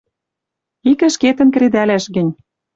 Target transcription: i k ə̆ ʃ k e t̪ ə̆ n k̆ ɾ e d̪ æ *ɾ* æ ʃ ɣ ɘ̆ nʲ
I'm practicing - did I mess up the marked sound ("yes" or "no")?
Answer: yes